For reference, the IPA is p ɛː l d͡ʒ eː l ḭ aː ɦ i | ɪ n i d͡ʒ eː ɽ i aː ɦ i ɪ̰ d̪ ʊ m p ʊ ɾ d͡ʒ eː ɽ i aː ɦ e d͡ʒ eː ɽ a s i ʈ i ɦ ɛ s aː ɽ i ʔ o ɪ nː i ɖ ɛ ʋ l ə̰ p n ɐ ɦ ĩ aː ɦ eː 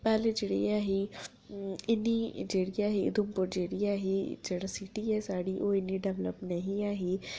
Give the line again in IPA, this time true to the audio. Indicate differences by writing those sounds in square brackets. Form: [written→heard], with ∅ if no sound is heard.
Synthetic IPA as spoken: p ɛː l d͡ʒ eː [l→ɽ] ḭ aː ɦ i | ɪ n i d͡ʒ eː ɽ i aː ɦ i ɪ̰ d̪ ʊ m p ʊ ɾ d͡ʒ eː ɽ i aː ɦ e d͡ʒ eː ɽ a s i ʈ i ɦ ɛ s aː ɽ i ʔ o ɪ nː i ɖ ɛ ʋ l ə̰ p n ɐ ɦ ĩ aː ɦ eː